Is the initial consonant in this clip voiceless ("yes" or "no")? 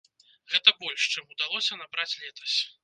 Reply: no